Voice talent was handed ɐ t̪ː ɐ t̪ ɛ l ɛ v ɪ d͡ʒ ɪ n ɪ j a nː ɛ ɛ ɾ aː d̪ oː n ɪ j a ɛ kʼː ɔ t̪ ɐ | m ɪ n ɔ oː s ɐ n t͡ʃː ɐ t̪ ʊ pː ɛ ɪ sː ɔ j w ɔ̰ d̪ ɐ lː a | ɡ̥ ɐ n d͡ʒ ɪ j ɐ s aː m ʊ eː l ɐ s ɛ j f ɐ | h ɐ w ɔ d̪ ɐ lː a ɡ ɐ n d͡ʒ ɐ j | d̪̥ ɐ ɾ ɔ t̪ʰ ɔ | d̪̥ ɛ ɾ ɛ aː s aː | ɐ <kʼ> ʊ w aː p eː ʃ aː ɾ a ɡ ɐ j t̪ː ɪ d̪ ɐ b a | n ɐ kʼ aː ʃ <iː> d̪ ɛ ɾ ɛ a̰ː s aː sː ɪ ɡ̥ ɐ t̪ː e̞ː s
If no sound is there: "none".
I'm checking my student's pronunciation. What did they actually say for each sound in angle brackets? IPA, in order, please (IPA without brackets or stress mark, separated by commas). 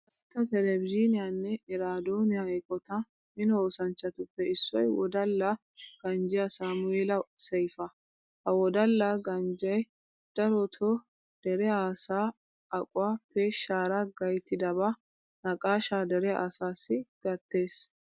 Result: kʼ, aː